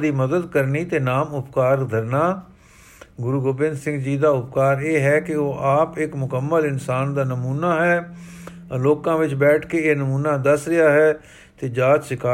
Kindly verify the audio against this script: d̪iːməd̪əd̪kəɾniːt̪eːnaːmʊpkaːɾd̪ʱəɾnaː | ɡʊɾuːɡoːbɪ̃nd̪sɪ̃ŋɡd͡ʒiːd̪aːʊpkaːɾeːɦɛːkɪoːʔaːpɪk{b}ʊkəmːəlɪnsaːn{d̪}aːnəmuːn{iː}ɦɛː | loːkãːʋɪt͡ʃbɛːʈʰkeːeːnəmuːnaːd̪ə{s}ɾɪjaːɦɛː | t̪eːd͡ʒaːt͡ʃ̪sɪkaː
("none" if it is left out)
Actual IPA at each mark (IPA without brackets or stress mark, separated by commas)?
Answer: m, d̪, aː, s